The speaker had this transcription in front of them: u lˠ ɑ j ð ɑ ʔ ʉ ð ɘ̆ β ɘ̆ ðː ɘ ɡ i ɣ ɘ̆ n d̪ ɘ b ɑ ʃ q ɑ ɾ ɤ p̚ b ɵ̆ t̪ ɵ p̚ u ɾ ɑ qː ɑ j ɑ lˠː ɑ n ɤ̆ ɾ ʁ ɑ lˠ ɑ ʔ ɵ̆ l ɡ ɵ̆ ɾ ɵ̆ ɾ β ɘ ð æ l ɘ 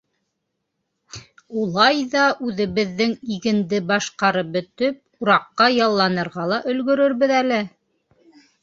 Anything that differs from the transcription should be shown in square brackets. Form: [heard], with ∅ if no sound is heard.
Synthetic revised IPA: u lˠ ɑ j ð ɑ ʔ ʉ ð ɘ̆ β ɘ̆ ðː ɘ [ŋ] i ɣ ɘ̆ n d̪ ɘ b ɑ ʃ q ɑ ɾ ɤ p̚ b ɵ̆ t̪ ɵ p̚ u ɾ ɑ qː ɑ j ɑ lˠː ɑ n ɤ̆ ɾ ʁ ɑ lˠ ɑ ʔ ɵ̆ l ɡ ɵ̆ ɾ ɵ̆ ɾ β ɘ ð æ l ɘ